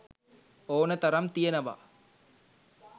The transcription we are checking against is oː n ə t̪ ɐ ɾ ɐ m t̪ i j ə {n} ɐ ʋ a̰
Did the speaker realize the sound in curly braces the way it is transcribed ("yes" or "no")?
yes